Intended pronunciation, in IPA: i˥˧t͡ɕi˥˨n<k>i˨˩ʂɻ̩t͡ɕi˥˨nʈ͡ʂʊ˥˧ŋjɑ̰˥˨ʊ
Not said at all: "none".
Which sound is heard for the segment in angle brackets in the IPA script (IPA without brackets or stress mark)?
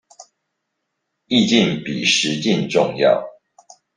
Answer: p